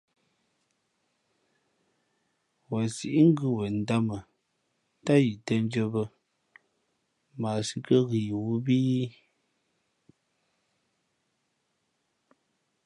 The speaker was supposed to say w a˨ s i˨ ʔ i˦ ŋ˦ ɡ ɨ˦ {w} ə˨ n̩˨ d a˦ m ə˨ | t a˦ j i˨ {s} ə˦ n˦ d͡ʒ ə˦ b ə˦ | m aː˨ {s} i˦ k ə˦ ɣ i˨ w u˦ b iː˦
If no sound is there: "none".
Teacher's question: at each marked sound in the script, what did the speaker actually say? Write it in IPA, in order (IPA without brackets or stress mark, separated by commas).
w, t, s